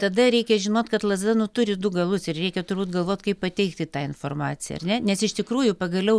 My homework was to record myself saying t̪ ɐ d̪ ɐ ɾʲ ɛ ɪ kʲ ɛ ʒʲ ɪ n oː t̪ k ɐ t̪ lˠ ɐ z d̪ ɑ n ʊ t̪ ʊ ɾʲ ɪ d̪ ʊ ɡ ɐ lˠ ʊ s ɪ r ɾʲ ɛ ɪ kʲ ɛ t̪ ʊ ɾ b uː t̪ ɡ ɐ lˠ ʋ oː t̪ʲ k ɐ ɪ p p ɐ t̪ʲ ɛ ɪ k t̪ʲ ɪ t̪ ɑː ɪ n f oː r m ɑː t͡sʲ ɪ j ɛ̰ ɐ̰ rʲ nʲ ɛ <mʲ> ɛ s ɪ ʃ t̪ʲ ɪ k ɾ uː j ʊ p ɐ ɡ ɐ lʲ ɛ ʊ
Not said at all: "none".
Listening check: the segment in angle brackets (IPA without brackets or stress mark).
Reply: nʲ